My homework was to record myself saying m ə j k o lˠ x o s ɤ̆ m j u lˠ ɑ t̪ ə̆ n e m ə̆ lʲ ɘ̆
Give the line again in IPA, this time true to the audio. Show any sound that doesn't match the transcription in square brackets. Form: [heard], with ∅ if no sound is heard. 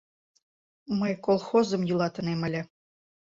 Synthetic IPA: m ə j k o lˠ x o [z] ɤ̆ m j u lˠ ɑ t̪ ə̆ n e m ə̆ lʲ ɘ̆